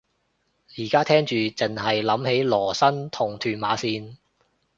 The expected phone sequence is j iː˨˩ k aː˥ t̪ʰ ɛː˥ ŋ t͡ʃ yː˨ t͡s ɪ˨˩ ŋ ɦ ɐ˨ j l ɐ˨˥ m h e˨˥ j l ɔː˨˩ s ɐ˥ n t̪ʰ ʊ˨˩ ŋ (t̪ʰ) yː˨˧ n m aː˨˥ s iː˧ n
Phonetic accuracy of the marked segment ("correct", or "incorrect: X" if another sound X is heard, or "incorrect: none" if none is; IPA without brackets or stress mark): correct